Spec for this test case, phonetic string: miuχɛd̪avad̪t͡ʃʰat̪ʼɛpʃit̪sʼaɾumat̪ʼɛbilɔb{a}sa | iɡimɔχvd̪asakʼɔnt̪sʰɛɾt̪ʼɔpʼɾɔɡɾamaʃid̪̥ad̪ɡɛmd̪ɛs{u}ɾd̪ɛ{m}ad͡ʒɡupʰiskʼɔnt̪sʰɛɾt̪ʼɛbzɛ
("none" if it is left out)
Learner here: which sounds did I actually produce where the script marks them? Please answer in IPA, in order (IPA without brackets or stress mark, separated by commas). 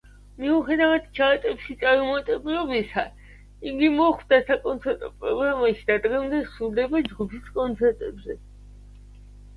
i, u, b